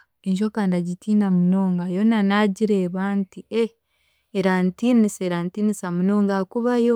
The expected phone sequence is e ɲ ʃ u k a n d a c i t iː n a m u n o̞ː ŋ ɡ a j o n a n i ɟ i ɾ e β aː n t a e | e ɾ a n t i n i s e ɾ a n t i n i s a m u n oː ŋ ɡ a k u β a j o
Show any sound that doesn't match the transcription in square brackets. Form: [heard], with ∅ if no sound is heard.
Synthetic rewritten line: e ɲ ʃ [o] k a n d a [ɟ] i t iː n a m u n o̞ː ŋ ɡ a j o n a n [a] ɟ i ɾ e β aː n t [i] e | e ɾ a n t i n i s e ɾ a n t i n i s a m u n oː ŋ ɡ a k u β a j o

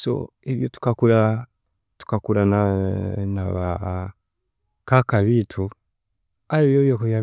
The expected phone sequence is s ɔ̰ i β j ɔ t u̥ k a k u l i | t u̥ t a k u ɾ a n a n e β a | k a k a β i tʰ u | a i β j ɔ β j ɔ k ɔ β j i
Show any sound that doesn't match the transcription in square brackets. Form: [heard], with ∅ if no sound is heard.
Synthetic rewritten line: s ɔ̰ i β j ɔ t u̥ k a k u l [a] | t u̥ [k] a k u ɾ a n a n [a] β a | k a k a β i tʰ u | a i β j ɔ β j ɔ k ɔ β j [a]

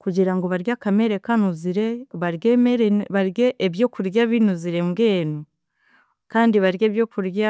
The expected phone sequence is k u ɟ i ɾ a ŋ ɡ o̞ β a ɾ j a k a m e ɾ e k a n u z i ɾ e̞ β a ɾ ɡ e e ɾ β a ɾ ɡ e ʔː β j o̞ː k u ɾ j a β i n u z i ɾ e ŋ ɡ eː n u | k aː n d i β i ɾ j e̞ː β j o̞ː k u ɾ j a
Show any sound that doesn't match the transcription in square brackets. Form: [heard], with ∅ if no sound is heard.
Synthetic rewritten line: k u ɟ i ɾ a ŋ ɡ o̞ β a ɾ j a k a m e ɾ e k a n u z i ɾ e̞ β a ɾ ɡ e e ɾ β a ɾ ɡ e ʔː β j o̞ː k u ɾ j a β i n u z i ɾ e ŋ ɡ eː n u | k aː n d i β [a] ɾ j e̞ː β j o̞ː k u ɾ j a

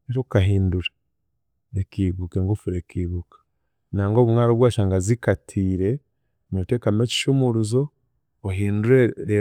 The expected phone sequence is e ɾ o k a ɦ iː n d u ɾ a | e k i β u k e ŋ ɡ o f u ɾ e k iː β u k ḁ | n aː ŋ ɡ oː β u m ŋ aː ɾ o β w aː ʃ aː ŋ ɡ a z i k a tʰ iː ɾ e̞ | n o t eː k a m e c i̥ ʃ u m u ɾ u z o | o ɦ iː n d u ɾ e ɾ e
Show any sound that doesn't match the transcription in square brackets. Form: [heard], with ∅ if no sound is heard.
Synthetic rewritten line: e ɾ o k a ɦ iː n d u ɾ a | e k i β u k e ŋ ɡ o f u ɾ e k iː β u k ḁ | n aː ŋ ɡ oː β u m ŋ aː ɾ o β w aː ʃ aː ŋ ɡ a z i k a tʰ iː ɾ e̞ | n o t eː k a m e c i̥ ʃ u m u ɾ u z o | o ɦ iː n d u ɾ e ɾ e

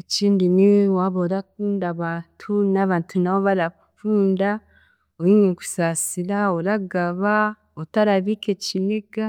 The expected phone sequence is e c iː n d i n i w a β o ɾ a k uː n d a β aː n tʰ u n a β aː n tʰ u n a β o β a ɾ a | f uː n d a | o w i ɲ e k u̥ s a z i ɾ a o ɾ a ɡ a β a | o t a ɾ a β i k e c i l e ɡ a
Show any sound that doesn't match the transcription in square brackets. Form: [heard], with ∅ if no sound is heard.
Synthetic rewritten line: e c iː n d i n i w a β o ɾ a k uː n d a β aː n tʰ u n a β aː n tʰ u n a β o β a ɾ a | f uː n d a | o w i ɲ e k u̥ s a [s] i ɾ a o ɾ a ɡ a β a | o t a ɾ a β i k e c i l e ɡ a

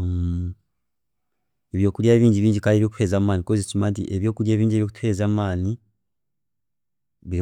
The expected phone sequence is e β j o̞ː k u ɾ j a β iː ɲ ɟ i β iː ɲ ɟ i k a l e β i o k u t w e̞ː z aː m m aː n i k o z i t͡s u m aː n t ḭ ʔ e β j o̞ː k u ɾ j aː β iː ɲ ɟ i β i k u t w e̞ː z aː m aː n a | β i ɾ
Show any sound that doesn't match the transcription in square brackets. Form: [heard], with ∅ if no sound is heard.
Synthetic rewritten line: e β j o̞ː k u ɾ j a β iː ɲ ɟ i β iː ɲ ɟ i k a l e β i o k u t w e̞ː z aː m m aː n i k o z i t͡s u m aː n t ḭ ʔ e β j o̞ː k u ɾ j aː β iː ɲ ɟ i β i k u t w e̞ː z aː m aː n [i] | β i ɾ

